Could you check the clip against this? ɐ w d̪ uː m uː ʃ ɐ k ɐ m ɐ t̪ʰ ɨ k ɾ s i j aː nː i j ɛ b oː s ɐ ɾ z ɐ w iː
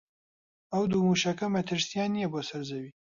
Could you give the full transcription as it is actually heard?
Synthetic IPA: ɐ w d̪ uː m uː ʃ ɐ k ɐ m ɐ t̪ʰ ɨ ɾ s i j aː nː i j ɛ b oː s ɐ ɾ z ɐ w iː